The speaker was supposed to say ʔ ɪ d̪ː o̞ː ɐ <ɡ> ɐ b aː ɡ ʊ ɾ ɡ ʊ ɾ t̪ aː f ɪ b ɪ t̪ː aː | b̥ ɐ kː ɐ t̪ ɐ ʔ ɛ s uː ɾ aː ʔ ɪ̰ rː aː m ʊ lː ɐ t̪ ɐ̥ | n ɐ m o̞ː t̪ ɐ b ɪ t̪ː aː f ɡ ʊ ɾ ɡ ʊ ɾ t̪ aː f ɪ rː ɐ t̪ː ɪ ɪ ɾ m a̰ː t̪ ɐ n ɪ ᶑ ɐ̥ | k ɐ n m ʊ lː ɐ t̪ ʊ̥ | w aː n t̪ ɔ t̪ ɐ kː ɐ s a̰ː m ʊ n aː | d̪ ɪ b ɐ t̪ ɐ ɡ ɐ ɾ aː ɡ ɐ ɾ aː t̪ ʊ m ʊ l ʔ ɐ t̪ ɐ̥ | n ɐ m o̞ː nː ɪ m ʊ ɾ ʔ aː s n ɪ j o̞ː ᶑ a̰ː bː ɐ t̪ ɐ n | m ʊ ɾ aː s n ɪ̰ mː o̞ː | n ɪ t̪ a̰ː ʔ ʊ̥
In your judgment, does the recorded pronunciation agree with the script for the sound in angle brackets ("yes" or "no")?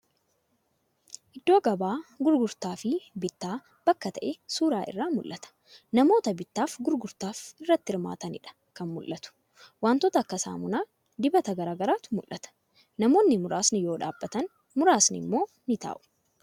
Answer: yes